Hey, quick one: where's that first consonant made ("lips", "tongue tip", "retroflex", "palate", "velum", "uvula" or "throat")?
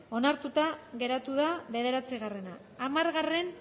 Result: tongue tip